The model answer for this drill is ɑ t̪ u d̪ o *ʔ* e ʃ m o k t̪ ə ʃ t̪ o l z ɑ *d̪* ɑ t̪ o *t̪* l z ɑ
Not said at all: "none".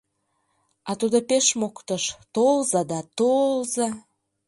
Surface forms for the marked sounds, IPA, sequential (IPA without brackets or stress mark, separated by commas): p, d̪, none